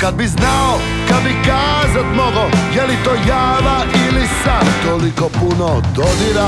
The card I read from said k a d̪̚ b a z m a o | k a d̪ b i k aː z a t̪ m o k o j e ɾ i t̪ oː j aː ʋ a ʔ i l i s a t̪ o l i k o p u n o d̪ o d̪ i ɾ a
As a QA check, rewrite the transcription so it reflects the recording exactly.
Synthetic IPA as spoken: k a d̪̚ b i z n a o | k a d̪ b i k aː z a t̪ m o ɡ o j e l i t̪ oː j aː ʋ a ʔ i l i s a t̪ o l i k o p u n o d̪ o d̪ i ɾ a